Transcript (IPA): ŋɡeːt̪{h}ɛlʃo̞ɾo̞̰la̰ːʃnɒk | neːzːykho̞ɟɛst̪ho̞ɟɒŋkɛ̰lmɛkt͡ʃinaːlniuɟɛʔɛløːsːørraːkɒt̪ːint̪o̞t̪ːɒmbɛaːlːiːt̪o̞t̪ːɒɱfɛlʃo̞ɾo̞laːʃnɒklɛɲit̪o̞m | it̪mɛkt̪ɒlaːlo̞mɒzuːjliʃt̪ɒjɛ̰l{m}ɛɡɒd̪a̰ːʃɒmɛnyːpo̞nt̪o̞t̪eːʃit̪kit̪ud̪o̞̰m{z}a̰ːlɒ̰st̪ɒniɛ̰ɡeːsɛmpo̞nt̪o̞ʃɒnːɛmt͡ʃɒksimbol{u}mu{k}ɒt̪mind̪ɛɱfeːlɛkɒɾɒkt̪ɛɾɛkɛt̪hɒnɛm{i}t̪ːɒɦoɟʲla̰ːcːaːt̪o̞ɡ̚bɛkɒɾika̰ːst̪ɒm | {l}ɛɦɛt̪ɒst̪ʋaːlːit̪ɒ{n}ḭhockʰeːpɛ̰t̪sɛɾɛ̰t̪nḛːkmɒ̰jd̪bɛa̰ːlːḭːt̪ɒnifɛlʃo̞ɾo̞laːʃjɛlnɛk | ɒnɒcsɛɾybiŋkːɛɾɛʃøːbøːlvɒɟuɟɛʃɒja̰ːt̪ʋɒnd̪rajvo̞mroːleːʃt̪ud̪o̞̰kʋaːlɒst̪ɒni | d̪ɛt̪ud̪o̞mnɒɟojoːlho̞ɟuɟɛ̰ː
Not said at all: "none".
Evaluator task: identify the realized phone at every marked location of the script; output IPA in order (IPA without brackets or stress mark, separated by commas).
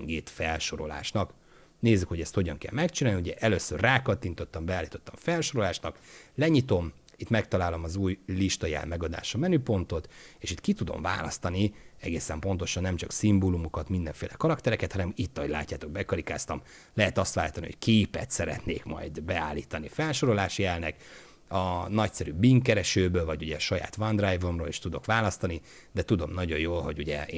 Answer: f, m, v, u, k, i, l, n